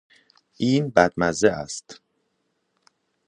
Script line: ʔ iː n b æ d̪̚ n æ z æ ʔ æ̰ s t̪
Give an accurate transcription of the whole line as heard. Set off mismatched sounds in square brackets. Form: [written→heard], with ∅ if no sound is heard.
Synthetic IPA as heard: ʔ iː n b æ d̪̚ [n→m] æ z [æ→e] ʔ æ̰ s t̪